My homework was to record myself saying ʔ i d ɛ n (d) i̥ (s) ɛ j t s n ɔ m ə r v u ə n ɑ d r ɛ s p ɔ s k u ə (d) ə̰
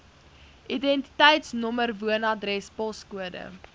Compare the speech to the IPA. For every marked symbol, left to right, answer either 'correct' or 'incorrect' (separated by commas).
incorrect, incorrect, correct